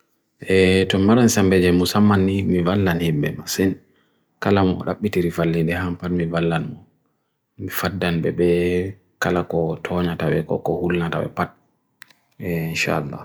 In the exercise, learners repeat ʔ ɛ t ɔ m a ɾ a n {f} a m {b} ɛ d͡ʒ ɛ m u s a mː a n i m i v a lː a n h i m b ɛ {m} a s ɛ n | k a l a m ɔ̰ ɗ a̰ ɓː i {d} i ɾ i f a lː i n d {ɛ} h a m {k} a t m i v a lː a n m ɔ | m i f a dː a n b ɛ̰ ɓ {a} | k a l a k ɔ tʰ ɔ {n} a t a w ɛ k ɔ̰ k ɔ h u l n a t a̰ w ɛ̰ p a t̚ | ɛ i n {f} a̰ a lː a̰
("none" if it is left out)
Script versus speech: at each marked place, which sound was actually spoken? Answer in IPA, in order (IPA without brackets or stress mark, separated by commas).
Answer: s, b, m, t, ɛ, p, ɛ, ɲ, ʃ